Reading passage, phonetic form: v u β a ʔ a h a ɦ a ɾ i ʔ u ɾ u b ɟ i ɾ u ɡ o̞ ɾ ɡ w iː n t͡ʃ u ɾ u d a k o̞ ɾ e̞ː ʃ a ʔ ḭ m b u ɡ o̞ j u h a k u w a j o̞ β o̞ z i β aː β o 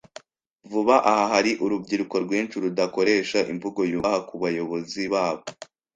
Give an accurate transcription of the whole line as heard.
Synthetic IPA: v u β a ʔ a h a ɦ a ɾ i ʔ u ɾ u b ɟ i ɾ u k o̞ ɾ ɡ w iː n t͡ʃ u ɾ u d a k o̞ ɾ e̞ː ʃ a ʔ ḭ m v u ɡ o̞ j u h a k u β a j o̞ β o̞ z i β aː β o